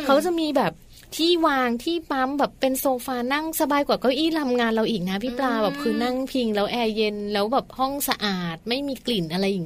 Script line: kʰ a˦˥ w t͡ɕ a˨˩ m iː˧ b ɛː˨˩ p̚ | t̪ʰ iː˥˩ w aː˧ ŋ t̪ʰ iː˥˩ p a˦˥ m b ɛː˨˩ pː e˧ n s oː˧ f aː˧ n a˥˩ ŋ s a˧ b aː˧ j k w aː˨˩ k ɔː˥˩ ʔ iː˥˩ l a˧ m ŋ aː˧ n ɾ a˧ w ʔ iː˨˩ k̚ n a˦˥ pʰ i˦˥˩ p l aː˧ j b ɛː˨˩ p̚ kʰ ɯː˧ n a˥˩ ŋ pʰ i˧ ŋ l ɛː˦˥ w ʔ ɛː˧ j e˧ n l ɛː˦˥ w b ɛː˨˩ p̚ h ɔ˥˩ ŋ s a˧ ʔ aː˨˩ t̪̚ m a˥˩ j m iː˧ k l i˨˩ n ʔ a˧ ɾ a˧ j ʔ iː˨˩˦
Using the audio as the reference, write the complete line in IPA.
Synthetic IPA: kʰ a˦˥ w t͡ɕ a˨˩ m iː˧ b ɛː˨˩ p̚ | t̪ʰ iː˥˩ w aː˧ ŋ t̪ʰ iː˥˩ p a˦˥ m b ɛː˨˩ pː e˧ n s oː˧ f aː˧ n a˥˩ ŋ s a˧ b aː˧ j k w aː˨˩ k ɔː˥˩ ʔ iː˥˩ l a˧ m ŋ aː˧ n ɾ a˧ w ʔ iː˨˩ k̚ n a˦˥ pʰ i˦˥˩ p l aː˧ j b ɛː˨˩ p̚ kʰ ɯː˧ n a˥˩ ŋ pʰ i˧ ŋ l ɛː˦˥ w ʔ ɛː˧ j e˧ n l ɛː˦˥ w b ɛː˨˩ p̚ h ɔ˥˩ ŋ s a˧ ʔ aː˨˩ t̪̚ m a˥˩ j m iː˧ k l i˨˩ n ʔ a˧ ɾ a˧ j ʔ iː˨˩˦